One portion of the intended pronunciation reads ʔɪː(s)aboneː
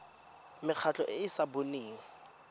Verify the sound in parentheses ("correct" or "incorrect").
correct